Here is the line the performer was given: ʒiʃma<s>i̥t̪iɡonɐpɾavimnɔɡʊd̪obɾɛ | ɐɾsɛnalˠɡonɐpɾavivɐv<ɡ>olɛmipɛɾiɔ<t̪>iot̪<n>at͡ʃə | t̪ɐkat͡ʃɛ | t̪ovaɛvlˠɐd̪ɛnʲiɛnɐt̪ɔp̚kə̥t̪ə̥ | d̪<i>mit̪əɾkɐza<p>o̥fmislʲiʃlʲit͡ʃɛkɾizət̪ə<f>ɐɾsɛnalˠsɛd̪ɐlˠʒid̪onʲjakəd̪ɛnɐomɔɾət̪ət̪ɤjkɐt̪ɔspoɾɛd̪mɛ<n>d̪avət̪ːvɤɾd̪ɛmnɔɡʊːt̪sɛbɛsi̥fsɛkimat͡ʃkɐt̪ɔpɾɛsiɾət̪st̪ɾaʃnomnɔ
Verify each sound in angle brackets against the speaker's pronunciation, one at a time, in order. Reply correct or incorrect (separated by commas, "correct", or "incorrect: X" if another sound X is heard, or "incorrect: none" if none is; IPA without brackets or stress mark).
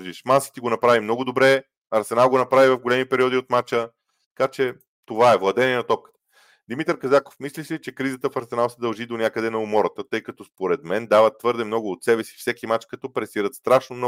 correct, correct, incorrect: d̪, incorrect: m, correct, incorrect: k, correct, correct